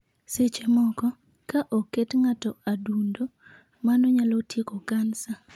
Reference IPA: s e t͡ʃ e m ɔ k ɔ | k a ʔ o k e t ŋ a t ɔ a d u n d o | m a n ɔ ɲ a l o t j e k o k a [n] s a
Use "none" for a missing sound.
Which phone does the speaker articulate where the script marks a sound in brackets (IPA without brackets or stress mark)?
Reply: n